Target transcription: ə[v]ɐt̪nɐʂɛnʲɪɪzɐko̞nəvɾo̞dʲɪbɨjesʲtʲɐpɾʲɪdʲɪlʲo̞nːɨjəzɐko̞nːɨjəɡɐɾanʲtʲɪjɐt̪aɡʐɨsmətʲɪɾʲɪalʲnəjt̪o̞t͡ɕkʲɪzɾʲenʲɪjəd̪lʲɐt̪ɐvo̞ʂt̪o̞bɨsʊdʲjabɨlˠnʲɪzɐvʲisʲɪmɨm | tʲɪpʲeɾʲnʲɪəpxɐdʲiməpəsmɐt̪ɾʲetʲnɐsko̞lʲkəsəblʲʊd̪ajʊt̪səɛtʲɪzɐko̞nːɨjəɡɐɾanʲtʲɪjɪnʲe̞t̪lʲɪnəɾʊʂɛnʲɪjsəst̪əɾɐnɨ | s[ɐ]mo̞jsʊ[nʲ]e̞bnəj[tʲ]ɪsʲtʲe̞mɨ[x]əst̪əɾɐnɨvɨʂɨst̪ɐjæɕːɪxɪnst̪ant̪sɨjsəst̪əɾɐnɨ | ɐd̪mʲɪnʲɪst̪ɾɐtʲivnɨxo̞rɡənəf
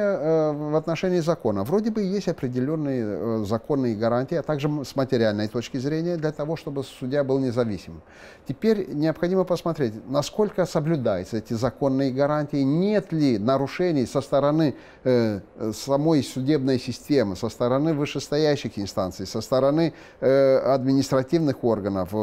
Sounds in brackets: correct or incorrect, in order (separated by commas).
correct, correct, incorrect, incorrect, incorrect